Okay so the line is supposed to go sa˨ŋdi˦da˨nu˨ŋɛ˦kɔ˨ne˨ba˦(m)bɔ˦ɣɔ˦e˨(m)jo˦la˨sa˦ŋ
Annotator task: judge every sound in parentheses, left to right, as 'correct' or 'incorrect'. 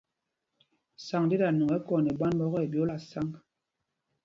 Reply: incorrect: n, incorrect: b

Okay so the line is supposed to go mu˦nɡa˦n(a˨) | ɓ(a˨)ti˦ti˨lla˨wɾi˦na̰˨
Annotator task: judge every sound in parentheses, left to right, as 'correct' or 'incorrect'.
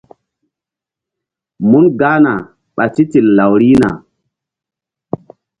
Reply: correct, correct

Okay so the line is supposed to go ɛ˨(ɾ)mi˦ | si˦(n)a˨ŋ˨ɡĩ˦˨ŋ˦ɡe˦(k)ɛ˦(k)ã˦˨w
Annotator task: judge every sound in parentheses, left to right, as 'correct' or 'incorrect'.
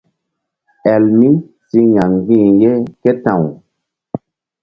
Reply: incorrect: l, incorrect: ɲ, correct, incorrect: t

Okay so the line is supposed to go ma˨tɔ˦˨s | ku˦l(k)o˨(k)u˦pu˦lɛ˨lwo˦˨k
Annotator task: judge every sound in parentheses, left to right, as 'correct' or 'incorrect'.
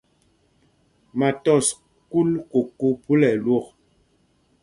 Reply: correct, correct

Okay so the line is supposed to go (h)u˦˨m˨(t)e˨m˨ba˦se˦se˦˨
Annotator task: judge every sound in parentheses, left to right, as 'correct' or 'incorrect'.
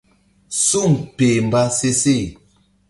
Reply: incorrect: s, incorrect: p

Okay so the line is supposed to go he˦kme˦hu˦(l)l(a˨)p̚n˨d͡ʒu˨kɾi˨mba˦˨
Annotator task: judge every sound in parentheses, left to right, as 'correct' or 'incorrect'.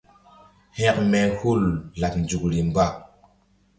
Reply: correct, correct

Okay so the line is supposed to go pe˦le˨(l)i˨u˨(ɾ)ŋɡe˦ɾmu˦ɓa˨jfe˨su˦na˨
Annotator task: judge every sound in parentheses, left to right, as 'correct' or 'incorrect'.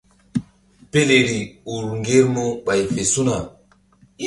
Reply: incorrect: ɾ, correct

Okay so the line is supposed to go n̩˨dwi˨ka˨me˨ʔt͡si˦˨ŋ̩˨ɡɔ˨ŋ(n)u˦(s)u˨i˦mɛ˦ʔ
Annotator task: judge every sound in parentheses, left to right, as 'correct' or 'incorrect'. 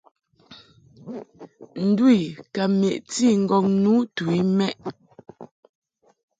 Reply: correct, incorrect: t

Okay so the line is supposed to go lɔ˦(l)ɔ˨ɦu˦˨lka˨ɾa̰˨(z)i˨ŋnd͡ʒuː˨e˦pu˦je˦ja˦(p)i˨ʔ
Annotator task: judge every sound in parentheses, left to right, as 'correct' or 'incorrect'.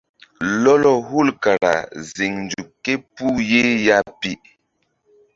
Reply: correct, correct, correct

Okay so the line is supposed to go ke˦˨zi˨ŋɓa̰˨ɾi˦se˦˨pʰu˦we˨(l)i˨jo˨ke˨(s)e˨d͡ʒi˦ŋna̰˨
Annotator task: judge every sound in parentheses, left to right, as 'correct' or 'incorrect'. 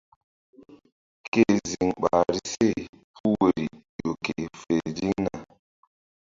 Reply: incorrect: ɾ, incorrect: f

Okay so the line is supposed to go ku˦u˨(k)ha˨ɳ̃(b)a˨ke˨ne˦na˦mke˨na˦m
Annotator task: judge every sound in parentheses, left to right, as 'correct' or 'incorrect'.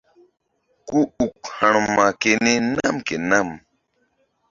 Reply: correct, incorrect: m

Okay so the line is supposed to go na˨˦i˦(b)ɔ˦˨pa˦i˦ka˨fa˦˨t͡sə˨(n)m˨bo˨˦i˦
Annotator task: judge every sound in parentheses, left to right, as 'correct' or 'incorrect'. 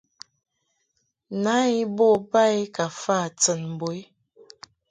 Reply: correct, correct

